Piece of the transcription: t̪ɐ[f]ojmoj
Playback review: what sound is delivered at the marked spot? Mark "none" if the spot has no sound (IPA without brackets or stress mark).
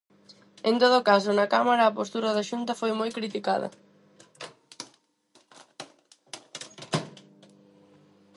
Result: f